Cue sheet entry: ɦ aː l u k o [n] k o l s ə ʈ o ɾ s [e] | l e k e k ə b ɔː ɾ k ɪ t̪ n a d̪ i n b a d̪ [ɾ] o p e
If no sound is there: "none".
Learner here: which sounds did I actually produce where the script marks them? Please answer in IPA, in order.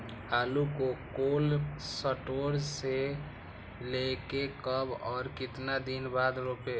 none, e, ɾ

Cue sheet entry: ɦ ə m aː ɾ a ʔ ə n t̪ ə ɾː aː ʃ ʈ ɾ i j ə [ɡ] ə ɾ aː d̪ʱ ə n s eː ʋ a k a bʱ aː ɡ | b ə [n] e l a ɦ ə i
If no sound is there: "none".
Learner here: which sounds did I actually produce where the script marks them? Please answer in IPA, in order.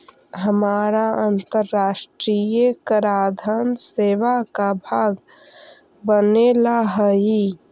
k, n

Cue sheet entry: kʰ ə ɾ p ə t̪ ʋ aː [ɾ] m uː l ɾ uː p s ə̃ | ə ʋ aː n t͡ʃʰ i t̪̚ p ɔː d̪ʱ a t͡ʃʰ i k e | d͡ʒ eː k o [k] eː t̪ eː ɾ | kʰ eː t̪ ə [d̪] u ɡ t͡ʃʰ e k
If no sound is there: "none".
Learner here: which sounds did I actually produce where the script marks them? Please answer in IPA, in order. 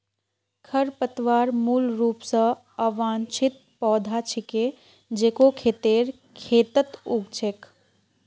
ɾ, kʰ, t̪

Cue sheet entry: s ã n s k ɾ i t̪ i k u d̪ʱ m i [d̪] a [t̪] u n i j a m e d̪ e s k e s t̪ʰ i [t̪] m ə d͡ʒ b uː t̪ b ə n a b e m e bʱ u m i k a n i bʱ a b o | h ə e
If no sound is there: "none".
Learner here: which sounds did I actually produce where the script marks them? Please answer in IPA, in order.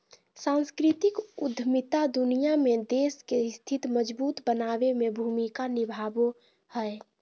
t̪, d̪, t̪

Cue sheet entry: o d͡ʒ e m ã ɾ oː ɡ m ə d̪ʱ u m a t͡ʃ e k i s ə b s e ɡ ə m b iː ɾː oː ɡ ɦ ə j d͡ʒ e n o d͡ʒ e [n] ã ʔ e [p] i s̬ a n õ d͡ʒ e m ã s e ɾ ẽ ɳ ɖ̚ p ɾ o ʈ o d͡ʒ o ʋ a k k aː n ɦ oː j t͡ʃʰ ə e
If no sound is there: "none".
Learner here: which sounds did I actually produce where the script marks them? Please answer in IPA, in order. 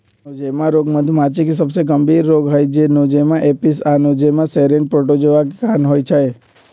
m, p

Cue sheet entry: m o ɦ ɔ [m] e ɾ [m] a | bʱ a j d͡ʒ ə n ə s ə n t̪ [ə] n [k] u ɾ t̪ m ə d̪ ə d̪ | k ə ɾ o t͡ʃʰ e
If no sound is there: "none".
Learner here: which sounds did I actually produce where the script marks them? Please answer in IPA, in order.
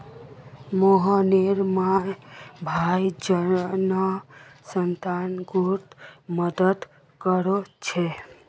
n, m, a, ɡ

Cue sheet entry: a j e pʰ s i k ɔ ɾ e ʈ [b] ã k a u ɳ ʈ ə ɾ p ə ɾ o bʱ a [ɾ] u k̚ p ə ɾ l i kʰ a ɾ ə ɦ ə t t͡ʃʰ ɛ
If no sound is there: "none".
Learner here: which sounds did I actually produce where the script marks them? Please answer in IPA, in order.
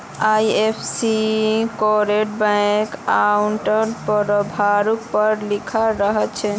b, ɾ

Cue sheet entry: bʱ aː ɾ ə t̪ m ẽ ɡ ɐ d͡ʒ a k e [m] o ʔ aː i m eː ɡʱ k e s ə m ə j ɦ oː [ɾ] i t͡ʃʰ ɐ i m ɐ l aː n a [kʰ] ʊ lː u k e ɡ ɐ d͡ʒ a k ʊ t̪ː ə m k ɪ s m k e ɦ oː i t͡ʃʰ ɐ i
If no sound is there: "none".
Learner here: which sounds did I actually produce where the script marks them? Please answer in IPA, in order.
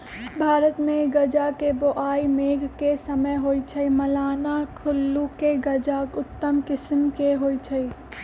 b, none, kʰ

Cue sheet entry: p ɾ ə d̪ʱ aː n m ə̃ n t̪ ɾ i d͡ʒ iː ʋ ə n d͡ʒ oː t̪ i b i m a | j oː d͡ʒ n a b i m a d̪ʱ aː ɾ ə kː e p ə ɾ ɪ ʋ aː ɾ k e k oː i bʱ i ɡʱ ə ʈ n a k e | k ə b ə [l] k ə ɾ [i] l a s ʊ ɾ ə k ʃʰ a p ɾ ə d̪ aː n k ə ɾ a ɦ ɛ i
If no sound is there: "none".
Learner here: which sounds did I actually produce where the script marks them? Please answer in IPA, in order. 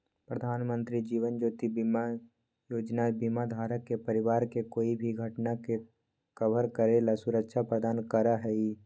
ɾ, e

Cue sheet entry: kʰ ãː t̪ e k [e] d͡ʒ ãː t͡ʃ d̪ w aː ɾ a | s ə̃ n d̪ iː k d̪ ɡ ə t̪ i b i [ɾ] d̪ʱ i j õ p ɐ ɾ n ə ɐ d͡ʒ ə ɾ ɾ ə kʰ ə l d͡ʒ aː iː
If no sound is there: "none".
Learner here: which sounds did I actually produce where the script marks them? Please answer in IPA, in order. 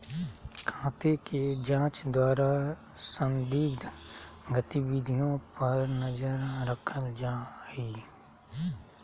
e, none

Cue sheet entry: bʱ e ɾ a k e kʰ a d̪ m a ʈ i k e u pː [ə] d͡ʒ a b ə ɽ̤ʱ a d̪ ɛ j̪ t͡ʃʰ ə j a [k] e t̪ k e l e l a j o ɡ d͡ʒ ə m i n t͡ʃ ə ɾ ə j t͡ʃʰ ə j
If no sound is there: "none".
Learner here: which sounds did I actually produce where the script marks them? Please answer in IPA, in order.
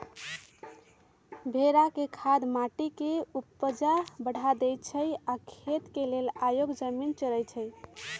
ə, kʰ

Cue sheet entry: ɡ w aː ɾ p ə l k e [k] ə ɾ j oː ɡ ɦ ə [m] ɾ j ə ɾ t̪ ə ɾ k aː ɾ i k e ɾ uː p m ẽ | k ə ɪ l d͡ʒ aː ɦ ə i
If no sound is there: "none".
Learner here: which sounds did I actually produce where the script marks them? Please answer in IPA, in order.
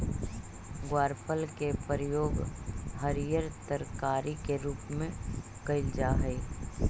p, none

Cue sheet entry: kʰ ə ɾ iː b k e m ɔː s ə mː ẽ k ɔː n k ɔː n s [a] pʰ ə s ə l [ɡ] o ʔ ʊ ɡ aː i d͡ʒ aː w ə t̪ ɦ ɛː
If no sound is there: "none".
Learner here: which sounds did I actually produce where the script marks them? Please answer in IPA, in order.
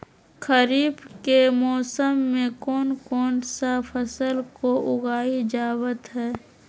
a, k

